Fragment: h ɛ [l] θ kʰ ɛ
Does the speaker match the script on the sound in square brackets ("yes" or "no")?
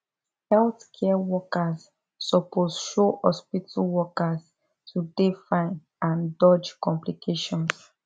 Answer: yes